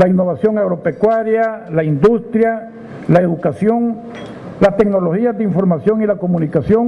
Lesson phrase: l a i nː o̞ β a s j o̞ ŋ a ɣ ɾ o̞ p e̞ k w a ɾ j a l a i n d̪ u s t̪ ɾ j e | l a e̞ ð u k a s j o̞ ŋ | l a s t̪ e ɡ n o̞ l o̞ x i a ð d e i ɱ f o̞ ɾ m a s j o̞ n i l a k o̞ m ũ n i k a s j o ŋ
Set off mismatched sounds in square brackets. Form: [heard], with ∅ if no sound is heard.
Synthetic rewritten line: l a i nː o̞ β a s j o̞ ŋ a ɣ ɾ o̞ p e̞ k w a ɾ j a l a i n d̪ u s t̪ ɾ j [a] | l a e̞ ð u k a s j o̞ ŋ | l a s t̪ e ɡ n o̞ l o̞ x i a [z] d e i ɱ f o̞ ɾ m a s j o̞ [ŋ] i l a k o̞ m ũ n i k a s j o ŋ